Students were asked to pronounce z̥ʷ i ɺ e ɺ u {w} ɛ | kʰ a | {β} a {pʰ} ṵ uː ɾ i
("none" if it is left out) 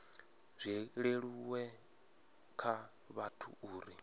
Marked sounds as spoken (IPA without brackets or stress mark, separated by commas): w, β, tʰ